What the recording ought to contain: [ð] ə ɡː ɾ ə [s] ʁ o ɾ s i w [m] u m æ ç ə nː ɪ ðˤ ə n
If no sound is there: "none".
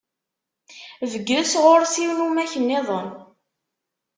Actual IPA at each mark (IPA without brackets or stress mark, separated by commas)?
v, s, n